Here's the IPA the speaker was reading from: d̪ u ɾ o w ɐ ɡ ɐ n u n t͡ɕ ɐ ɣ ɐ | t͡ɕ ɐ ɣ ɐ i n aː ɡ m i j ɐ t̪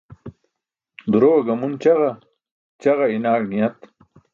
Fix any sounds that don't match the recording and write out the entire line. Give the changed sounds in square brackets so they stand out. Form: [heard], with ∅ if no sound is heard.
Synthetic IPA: d̪ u ɾ o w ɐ ɡ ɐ [m] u n t͡ɕ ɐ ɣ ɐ | t͡ɕ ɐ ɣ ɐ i n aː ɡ [n] i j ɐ t̪